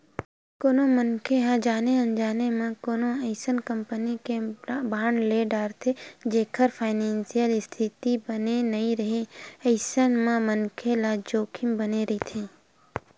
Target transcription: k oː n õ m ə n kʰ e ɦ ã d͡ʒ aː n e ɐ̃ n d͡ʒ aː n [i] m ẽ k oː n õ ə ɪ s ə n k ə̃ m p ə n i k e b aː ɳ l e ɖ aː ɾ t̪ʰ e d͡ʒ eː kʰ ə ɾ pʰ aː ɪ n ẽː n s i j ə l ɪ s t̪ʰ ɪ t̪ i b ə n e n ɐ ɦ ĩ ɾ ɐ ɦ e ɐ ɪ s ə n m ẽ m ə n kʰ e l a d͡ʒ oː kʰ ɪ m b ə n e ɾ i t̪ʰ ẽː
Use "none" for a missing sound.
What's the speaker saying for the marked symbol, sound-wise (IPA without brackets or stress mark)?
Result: e